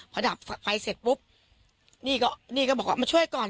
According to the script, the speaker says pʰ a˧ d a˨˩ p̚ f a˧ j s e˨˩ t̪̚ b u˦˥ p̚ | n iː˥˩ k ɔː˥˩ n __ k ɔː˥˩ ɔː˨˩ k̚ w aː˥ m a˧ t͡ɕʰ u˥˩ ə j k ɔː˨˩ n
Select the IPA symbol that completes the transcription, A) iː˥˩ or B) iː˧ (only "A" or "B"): A